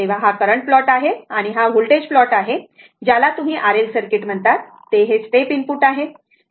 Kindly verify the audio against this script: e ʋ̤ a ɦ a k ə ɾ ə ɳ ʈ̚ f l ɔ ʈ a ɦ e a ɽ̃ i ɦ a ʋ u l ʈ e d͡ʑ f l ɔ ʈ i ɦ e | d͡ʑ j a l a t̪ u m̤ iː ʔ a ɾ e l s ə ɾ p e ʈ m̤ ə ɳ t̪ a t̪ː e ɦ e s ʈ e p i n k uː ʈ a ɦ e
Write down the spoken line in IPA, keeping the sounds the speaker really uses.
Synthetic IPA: e ʋ̤ a ɦ a k ə ɾ ə ɳ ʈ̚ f l ɔ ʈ a ɦ e a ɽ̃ i ɦ a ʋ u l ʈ e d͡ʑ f l ɔ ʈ a ɦ e | d͡ʑ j a l a t̪ u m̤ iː ʔ a ɾ e l s ə ɾ k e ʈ m̤ ə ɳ t̪ a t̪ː e ɦ e s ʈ e p i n p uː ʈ a ɦ e